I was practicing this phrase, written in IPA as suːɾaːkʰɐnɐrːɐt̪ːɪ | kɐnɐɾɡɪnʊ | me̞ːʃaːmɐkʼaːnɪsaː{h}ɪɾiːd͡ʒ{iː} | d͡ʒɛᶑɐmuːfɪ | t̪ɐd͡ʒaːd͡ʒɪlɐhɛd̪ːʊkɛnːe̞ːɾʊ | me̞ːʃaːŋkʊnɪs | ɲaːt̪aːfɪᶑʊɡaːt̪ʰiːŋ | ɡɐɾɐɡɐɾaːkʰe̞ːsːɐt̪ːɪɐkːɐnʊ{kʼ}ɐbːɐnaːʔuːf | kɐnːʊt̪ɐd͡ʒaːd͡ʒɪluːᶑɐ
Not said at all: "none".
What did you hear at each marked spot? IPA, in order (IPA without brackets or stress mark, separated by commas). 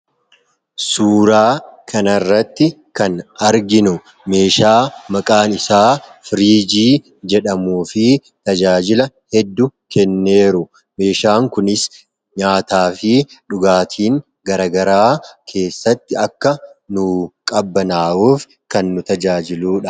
f, iː, kʼ